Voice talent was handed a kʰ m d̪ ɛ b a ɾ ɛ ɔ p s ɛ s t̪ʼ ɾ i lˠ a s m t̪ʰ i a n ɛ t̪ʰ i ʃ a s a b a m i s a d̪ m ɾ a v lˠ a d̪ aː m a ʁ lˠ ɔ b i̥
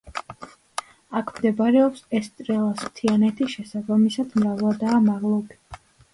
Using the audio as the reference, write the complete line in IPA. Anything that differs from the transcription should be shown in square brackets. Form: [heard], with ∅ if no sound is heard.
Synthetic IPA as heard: a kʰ m d̪ ɛ b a ɾ ɛ ɔ p s ɛ s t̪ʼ ɾ [ɛ] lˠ a s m t̪ʰ i a n ɛ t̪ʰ i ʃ [ɛ] s a b a m i s a d̪ m ɾ a v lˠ a d̪ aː m a ʁ lˠ ɔ b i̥